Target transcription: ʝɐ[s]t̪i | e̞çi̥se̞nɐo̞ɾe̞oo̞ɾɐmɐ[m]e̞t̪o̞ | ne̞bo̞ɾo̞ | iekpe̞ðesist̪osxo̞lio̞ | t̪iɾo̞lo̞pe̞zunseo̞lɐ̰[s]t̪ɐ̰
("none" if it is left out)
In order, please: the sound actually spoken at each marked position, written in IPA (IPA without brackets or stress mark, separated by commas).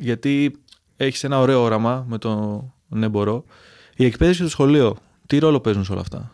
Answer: none, m, f